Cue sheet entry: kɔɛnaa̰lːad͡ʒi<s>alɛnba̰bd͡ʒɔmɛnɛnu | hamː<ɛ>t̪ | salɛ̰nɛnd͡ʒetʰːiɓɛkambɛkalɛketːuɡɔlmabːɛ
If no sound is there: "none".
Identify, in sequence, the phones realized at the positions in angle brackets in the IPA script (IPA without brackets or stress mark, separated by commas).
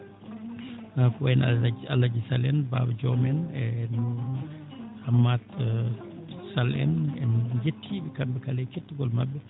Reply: s, a